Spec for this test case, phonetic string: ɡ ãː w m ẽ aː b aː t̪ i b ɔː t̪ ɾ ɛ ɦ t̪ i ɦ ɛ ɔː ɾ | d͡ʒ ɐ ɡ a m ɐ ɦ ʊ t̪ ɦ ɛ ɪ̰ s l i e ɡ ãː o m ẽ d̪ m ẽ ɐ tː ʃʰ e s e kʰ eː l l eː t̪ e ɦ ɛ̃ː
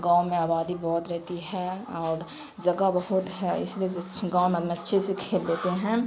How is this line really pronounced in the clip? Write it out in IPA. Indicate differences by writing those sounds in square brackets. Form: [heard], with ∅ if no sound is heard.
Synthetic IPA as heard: ɡ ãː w m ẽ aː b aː [d̪] i b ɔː t̪ ɾ ɛ ɦ t̪ i ɦ ɛ ɔː ɾ | d͡ʒ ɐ ɡ a [b] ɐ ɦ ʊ t̪ ɦ ɛ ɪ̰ s l i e ɡ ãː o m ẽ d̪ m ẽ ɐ tː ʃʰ e s e kʰ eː l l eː t̪ e ɦ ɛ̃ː